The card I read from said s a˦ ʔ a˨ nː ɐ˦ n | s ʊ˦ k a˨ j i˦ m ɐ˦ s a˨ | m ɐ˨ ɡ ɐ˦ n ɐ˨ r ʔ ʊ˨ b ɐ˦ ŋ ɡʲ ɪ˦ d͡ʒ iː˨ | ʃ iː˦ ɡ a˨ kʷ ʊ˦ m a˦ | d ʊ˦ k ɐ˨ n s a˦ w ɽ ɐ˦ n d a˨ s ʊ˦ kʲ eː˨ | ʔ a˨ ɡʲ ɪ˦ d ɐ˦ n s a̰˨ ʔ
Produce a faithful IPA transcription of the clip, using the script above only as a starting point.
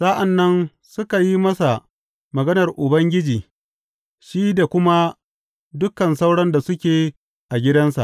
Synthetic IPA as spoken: s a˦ ʔ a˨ nː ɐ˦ n | s ʊ˦ k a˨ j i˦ m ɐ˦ s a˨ | m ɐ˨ ɡ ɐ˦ n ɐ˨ r ʔ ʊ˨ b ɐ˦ ŋ ɡʲ ɪ˦ d͡ʒ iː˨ | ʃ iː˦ d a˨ kʷ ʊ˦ m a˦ | d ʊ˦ k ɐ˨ n s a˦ w ɽ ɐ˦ n d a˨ s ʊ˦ kʲ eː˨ | ʔ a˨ ɡʲ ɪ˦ d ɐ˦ n s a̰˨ ʔ